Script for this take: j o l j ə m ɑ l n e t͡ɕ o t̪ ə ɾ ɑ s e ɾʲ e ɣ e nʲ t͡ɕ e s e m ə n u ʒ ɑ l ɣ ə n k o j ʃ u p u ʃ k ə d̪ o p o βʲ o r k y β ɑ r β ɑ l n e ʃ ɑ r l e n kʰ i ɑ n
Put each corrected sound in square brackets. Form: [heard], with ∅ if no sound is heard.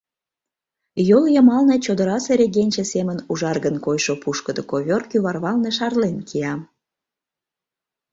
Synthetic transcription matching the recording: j o l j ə m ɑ l n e t͡ɕ o [d̪] ə ɾ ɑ s e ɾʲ e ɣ e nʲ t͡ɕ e s e m ə n u ʒ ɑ [r] ɣ ə n k o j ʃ [o] p u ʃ k ə d̪ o [k] o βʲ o r k y β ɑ r β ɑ l n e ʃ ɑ r l e n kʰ i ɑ [m]